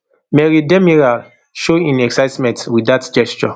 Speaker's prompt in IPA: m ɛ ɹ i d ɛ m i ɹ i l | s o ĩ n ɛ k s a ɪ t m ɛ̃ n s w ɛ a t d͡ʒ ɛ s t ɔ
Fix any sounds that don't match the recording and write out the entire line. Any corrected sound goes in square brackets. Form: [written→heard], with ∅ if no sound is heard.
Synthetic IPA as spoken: m ɛ ɹ i d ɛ m i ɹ [i→a] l | [s→ʃ] o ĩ n ɛ k s a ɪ t m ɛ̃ n [s→t] w [ɛ→i] a t d͡ʒ ɛ s [t→t͡ʃ] ɔ